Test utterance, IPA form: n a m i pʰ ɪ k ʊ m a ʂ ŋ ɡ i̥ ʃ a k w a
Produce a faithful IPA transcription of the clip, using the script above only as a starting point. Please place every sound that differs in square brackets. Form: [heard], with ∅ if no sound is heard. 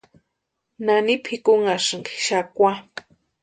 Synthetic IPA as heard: n a [n] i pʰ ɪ k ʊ [ŋ] a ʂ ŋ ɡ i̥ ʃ a k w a